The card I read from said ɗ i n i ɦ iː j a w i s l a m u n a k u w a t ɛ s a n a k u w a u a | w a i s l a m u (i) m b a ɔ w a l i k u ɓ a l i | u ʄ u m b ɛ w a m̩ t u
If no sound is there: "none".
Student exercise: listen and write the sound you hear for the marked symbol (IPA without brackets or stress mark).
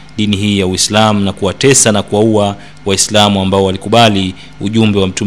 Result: a